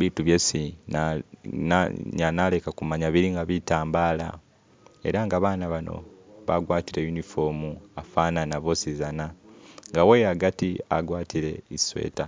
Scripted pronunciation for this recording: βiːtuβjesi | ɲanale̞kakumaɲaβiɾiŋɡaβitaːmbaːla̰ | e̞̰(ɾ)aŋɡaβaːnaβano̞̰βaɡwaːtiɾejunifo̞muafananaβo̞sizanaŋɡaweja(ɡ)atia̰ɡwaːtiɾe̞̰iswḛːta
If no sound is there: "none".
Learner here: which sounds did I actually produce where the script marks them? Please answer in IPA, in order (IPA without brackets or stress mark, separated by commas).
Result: ɾ, ɡ